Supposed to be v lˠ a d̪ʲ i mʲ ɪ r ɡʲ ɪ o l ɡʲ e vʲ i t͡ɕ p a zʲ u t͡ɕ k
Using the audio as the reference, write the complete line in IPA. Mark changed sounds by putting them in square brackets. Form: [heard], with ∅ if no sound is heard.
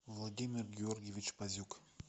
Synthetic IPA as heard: v lˠ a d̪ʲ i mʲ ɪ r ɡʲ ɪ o [r] ɡʲ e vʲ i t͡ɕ p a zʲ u [∅] k

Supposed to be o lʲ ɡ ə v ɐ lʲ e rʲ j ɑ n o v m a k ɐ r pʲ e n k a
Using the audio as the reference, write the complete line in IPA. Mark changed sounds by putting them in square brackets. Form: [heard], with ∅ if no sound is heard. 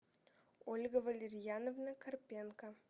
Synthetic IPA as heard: o lʲ ɡ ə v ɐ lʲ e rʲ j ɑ n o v [n] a k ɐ r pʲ e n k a

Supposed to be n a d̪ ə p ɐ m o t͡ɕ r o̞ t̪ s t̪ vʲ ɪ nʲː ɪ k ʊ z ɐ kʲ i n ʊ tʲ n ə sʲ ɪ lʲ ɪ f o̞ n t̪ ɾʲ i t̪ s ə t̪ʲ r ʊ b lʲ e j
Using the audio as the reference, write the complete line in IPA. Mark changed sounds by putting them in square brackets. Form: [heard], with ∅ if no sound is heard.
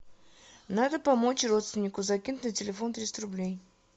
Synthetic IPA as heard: n a d̪ ə p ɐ m o t͡ɕ r o̞ t̪ s t̪ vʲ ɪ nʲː ɪ k ʊ z ɐ kʲ i n ʊ tʲ n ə [tʲ] ɪ lʲ ɪ f o̞ n t̪ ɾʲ i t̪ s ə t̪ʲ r ʊ b lʲ e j

